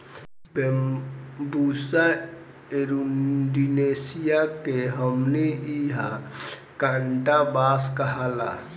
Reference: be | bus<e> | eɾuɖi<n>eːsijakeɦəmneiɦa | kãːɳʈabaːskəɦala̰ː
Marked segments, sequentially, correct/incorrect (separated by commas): incorrect, correct